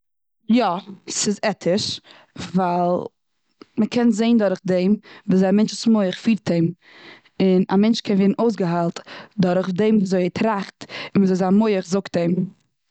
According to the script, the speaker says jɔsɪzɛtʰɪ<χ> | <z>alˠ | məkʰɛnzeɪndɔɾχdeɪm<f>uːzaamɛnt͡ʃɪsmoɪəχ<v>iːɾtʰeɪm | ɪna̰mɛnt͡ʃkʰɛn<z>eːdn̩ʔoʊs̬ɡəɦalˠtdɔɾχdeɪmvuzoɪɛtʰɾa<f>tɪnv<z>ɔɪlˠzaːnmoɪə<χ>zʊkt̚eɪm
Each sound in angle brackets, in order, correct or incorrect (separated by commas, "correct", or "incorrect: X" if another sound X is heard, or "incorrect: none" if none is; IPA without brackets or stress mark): incorrect: ʃ, incorrect: v, incorrect: v, incorrect: f, incorrect: v, incorrect: χ, correct, correct